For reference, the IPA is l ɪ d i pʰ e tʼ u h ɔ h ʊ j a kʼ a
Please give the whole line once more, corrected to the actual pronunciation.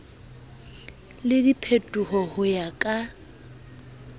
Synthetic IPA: l ɪ d i pʰ e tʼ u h ɔ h ʊ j a kʼ a